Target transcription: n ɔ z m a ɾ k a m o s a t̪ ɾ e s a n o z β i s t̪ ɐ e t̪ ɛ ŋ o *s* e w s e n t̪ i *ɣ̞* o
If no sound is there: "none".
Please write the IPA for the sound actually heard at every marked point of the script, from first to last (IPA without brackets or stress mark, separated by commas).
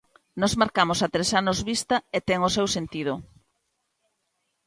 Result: s, ð̞